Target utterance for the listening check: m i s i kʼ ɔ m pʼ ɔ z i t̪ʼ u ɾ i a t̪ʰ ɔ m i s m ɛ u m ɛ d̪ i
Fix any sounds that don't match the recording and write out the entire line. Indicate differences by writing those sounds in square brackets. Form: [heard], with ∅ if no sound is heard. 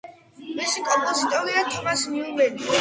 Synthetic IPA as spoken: m i s i kʼ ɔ m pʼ ɔ z i t̪ʼ [ɔ] ɾ i a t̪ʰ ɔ m [a] s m [i] u m ɛ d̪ i